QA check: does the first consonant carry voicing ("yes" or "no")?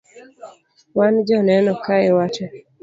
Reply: yes